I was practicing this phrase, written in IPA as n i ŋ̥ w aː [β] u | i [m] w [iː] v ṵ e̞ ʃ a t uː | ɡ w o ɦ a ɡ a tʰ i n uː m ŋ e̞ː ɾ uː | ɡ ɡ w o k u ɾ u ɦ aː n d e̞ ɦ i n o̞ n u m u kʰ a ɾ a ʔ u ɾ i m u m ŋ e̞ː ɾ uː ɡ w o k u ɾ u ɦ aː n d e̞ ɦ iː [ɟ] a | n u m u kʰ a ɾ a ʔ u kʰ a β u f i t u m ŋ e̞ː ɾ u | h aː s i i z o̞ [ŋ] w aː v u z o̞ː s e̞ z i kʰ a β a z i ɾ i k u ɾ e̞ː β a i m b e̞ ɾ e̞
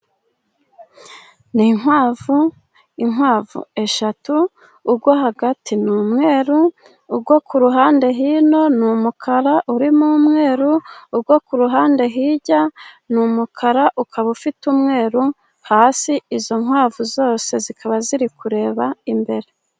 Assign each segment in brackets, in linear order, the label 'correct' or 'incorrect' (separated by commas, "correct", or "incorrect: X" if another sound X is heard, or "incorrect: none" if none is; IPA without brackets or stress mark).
incorrect: v, incorrect: ŋ, incorrect: aː, correct, correct